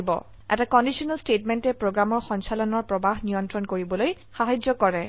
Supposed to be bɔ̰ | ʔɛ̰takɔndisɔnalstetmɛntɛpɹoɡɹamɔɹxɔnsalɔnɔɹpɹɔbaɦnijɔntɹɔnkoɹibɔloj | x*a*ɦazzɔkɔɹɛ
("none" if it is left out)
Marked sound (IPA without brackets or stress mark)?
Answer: a